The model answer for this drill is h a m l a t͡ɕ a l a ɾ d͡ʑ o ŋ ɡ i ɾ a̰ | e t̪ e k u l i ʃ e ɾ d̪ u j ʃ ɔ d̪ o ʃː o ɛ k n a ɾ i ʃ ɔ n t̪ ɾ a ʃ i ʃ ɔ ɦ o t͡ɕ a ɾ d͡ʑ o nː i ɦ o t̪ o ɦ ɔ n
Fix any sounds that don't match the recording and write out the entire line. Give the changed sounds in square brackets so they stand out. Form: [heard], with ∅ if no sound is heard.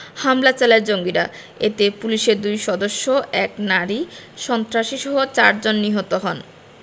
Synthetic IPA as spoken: h a m l a t͡ɕ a l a ɾ d͡ʑ o ŋ ɡ i ɾ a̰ | e t̪ e [p] u l i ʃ e ɾ d̪ u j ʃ ɔ d̪ o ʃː o ɛ k n a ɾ i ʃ ɔ n t̪ ɾ a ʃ i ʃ ɔ ɦ o t͡ɕ a ɾ d͡ʑ o nː i ɦ o t̪ o ɦ ɔ n

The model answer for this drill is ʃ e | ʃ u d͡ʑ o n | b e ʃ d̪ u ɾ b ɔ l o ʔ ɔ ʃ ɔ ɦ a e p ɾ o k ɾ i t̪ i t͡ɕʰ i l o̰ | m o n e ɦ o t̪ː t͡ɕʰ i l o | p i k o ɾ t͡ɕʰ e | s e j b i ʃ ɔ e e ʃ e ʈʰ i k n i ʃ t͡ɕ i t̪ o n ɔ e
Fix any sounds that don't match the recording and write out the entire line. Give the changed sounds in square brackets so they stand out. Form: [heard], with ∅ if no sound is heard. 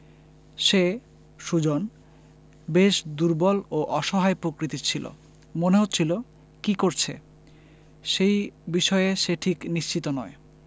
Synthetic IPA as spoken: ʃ e | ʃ u d͡ʑ o n | b e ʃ d̪ u ɾ b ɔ l o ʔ ɔ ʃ ɔ ɦ a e p ɾ o k ɾ i t̪ i t͡ɕʰ i l o̰ | m o n e ɦ o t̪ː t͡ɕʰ i l o | [k] i k o ɾ t͡ɕʰ e | [ʃ] e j b i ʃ ɔ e e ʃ e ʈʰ i k n i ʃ t͡ɕ i t̪ o n ɔ e

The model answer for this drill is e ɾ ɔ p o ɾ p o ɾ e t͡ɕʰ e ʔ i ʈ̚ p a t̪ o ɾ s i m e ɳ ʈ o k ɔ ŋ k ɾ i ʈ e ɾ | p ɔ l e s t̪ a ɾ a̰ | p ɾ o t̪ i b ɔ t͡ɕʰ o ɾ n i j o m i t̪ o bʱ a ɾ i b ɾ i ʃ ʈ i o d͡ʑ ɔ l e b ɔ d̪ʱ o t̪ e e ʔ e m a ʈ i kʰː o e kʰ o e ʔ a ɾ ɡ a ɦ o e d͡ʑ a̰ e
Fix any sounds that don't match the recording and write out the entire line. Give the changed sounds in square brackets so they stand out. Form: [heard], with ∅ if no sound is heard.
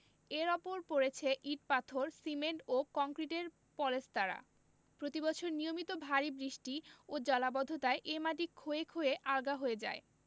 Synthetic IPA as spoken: e ɾ ɔ p o ɾ p o ɾ e t͡ɕʰ e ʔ i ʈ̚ p a [t̪ʰ] o ɾ s i m e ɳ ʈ o k ɔ ŋ k ɾ i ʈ e ɾ | p ɔ l e s t̪ a ɾ a̰ | p ɾ o t̪ i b ɔ t͡ɕʰ o ɾ n i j o m i t̪ o bʱ a ɾ i b ɾ i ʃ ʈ i o d͡ʑ ɔ l [a] b ɔ d̪ʱ o t̪ [a] e ʔ e m a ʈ i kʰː o e kʰ o e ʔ a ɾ ɡ a ɦ o e d͡ʑ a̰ e

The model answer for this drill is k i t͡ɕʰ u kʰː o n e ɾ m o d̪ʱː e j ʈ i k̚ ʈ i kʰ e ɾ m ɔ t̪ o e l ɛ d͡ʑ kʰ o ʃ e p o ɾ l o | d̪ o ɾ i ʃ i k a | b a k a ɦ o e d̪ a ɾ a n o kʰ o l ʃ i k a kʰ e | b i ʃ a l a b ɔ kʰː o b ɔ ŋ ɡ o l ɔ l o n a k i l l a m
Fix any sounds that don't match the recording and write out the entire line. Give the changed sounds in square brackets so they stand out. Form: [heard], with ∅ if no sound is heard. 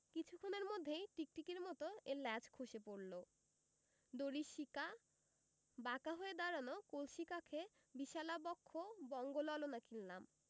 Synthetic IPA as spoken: k i t͡ɕʰ u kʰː o n e ɾ m o d̪ʱː e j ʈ i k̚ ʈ i [k] e ɾ m ɔ t̪ o e l ɛ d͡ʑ kʰ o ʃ e p o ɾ l o | d̪ o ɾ i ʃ i k a | b a k a ɦ o e d̪ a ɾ a n o [k] o l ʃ i k a kʰ e | b i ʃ a l a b ɔ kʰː o b ɔ ŋ ɡ o l ɔ l o n a k i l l a m

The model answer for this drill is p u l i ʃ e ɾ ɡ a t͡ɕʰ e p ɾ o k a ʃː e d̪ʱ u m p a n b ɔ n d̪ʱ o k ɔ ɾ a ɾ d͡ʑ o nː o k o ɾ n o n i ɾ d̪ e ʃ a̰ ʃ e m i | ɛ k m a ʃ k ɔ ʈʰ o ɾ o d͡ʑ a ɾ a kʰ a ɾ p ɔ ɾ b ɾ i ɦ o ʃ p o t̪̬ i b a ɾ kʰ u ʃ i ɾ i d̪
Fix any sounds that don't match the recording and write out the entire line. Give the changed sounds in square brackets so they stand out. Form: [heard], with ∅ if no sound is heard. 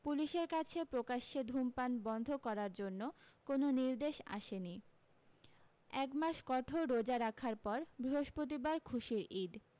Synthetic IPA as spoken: p u l i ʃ e ɾ [k] a t͡ɕʰ e p ɾ o k a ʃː e d̪ʱ u m p a n b ɔ n d̪ʱ o k ɔ ɾ a ɾ d͡ʑ o nː o k o [∅] n o n i ɾ d̪ e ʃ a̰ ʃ e [n] i | ɛ k m a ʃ k ɔ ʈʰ o ɾ o d͡ʑ a ɾ a kʰ a ɾ p ɔ ɾ b ɾ i ɦ o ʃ p o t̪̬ i b a ɾ kʰ u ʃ i ɾ i d̪

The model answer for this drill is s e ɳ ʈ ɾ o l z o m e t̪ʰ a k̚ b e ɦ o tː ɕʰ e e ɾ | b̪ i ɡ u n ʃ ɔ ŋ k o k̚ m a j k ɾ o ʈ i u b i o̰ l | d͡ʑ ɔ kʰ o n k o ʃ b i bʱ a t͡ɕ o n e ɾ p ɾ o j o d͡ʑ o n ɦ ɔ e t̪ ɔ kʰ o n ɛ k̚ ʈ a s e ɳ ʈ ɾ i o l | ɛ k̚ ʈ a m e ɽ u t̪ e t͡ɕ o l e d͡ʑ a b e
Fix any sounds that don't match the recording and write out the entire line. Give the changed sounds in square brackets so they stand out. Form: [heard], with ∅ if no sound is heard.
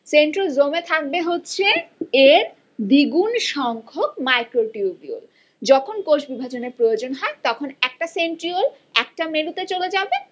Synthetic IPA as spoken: s e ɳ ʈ ɾ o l z o m e t̪ʰ a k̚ b e ɦ o tː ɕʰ e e ɾ | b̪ i ɡ u n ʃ ɔ ŋ [kʰ] o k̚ m a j k ɾ o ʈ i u b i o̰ l | d͡ʑ ɔ kʰ o n k o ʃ b i bʱ a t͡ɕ o n e ɾ p ɾ o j o d͡ʑ o n ɦ ɔ e t̪ ɔ kʰ o n ɛ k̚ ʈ a s e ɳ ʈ ɾ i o l | ɛ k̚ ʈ a m e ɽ u t̪ e t͡ɕ o l e d͡ʑ a b e

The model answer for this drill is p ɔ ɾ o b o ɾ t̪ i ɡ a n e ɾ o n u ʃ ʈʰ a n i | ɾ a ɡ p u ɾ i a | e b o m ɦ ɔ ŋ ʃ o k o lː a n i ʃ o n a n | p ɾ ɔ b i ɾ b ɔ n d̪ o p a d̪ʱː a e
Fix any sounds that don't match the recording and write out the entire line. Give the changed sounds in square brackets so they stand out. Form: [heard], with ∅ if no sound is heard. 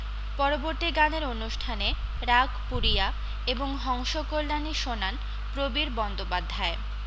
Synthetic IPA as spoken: p ɔ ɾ o b o ɾ t̪ i ɡ a n e ɾ o n u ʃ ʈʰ a n [e] | ɾ a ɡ p u ɾ i a | e b o [ŋ] ɦ ɔ ŋ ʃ o k o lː a n i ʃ o n a n | p ɾ [o] b i ɾ b ɔ n d̪ o p a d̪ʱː a e

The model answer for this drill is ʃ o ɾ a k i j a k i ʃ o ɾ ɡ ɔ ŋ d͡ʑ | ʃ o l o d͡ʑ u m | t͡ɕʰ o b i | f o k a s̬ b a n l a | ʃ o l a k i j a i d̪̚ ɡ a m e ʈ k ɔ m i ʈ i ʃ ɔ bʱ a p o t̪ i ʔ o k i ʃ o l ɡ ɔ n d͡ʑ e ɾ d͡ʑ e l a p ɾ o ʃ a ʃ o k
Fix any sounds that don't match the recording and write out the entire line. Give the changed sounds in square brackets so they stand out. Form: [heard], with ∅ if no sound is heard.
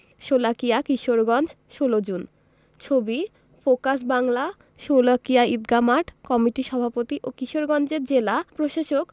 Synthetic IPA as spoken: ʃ o [l] a k i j a k i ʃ o ɾ ɡ ɔ [n] d͡ʑ | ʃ o l o d͡ʑ u [n] | t͡ɕʰ o b i | f o k a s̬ b a [ŋ] l a | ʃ o l a k i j a i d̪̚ ɡ a m [a] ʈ k ɔ m i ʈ i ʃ ɔ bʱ a p o t̪ i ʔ o k i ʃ o [ɾ] ɡ ɔ n d͡ʑ e ɾ d͡ʑ e l a p ɾ o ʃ a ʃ o k

